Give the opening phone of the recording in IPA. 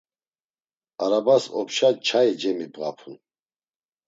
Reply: a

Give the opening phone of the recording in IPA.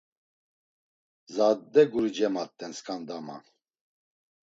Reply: z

